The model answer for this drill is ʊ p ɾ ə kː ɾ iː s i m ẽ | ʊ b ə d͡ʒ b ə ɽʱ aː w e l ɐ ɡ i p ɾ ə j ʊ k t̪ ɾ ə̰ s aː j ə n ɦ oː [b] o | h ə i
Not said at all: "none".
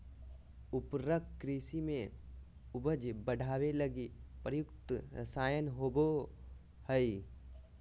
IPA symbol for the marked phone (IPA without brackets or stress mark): b